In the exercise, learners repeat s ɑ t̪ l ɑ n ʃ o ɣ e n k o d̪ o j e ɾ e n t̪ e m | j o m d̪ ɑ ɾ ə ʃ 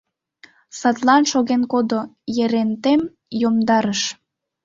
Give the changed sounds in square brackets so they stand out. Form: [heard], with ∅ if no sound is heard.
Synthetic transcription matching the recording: s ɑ t̪ l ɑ n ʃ o ɣ e n k o d̪ o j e ɾ e n t̪ e m | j o m d̪ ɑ ɾ ə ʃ